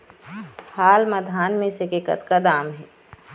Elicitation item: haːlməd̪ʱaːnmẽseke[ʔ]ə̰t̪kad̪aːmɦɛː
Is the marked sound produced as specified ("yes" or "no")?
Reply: no